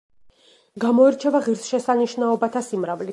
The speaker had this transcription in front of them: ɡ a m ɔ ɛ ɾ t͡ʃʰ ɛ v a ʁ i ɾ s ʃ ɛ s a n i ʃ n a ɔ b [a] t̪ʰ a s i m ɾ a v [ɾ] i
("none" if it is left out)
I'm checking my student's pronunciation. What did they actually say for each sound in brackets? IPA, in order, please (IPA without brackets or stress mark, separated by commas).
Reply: a, l